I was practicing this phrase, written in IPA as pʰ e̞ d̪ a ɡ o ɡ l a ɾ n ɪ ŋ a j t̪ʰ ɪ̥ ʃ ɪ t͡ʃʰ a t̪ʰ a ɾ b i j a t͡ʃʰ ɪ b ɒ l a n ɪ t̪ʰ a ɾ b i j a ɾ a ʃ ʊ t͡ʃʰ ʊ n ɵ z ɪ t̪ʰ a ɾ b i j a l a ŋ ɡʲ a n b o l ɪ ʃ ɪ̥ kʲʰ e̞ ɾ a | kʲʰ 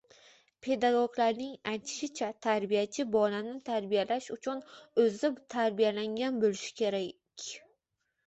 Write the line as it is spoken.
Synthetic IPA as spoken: pʰ e̞ d̪ a ɡ o ɡ l a ɾ n ɪ ŋ a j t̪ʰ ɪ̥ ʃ ɪ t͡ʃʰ a t̪ʰ a ɾ b i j a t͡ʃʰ ɪ b ɒ l a n ɪ t̪ʰ a ɾ b i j a l a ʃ ʊ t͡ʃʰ ʊ n ɵ z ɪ t̪ʰ a ɾ b i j a l a ŋ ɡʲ a n b o l ɪ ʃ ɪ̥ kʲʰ e̞ ɾ a | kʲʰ